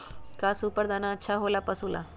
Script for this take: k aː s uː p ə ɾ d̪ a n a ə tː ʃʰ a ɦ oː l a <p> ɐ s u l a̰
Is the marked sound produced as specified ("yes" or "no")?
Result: yes